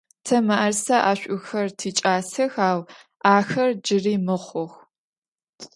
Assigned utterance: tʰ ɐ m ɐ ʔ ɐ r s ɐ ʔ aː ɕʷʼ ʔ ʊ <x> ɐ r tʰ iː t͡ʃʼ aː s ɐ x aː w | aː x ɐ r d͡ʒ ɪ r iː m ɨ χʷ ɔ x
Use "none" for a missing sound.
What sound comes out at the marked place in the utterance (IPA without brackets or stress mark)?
x